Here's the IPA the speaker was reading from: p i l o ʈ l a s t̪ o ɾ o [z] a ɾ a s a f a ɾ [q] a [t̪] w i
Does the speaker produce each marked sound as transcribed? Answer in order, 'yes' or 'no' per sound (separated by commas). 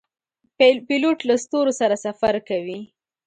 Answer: no, no, no